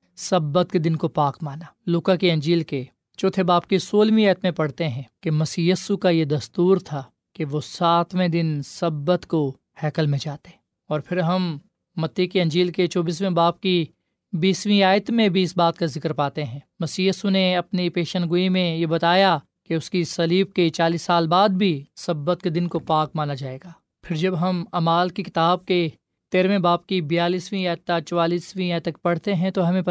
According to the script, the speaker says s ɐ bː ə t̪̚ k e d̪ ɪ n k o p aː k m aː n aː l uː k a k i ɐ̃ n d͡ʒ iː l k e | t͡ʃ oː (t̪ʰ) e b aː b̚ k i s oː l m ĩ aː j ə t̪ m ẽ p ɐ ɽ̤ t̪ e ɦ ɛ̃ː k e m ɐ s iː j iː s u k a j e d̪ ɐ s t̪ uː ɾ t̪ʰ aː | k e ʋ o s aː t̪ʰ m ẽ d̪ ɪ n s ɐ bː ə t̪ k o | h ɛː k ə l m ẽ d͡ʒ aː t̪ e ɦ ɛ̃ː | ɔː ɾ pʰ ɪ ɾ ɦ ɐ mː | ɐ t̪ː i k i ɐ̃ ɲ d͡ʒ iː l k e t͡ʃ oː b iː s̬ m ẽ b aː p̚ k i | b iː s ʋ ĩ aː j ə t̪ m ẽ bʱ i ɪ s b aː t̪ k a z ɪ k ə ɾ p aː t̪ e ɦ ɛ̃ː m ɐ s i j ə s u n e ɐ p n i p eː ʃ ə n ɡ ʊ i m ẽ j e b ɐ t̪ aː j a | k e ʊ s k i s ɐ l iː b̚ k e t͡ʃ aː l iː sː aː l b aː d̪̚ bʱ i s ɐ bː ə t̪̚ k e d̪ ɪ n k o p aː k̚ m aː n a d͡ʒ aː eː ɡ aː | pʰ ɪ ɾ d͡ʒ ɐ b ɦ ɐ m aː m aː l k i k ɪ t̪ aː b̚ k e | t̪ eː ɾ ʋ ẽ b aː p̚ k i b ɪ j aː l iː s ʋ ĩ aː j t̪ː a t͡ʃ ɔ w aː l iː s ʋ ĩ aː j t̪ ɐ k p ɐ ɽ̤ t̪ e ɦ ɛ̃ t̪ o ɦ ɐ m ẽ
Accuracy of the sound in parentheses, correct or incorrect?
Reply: correct